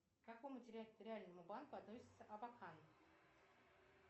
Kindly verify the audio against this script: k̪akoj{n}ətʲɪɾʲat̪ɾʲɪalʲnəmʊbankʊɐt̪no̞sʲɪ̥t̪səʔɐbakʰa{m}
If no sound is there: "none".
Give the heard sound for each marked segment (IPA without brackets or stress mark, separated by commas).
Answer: m, n